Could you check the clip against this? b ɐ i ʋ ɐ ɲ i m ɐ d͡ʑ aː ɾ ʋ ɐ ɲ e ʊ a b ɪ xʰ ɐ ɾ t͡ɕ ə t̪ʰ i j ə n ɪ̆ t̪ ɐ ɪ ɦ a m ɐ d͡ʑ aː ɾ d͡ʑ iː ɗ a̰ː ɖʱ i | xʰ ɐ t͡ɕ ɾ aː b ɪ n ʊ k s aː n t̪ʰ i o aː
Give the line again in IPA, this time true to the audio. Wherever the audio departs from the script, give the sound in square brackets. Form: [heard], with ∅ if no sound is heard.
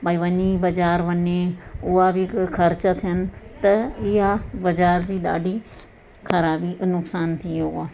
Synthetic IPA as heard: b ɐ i ʋ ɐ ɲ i [b] ɐ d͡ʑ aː ɾ ʋ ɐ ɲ e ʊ a b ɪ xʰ ɐ ɾ t͡ɕ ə t̪ʰ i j ə n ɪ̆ t̪ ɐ ɪ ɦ a [b] ɐ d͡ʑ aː ɾ d͡ʑ iː ɗ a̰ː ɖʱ i | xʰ ɐ [∅] ɾ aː b [i] n ʊ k s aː n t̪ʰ i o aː